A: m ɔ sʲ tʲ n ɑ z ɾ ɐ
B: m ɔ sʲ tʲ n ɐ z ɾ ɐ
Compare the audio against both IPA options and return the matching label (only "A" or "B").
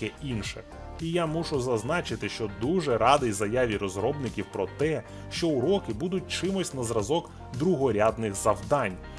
B